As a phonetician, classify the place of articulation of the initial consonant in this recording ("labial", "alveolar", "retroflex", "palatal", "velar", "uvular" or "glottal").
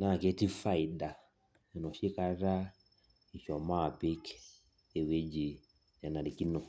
alveolar